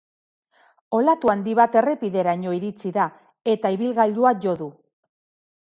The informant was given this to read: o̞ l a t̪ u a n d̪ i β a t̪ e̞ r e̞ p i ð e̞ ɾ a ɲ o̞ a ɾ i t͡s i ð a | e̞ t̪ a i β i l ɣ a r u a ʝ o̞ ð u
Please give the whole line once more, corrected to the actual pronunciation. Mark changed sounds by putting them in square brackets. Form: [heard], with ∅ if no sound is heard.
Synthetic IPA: o̞ l a t̪ u a n d̪ i β a t̪ e̞ r e̞ p i ð e̞ ɾ a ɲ o̞ [i] ɾ i t͡s i ð a | e̞ t̪ a i β i l ɣ a [ʎ] u a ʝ o̞ ð u